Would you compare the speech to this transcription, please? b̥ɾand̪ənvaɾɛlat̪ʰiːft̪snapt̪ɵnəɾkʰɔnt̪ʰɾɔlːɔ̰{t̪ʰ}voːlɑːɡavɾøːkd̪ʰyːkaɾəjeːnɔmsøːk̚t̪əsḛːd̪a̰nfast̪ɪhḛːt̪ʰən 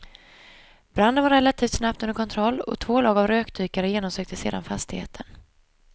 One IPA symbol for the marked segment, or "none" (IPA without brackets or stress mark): t̪ʰ